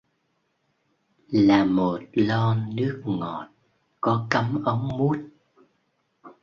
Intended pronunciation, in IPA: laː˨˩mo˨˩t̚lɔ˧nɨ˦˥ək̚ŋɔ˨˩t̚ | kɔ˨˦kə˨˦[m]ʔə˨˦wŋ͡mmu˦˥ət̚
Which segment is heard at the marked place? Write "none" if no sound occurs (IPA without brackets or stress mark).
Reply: m